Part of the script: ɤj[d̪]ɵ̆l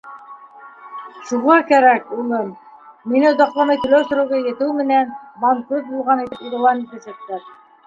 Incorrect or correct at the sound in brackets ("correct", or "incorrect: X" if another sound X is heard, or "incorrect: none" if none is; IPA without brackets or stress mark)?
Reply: incorrect: t̪